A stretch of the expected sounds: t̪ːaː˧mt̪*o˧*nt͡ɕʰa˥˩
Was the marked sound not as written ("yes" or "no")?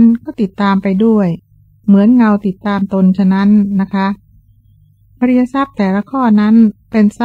no